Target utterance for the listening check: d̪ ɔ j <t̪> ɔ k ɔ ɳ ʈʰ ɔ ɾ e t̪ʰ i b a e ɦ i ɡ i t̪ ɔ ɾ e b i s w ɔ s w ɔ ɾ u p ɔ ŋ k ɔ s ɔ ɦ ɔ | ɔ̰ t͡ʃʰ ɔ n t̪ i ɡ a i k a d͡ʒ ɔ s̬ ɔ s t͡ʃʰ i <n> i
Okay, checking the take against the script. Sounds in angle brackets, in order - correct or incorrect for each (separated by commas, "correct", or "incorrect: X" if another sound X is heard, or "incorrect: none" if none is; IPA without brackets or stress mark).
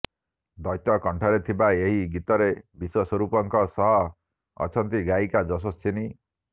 correct, correct